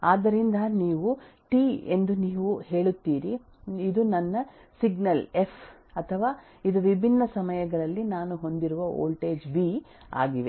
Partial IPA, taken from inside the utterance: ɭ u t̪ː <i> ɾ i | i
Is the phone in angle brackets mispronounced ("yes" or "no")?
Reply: yes